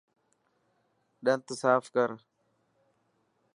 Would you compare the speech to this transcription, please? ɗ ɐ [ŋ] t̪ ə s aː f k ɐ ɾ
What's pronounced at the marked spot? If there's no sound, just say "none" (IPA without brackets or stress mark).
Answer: n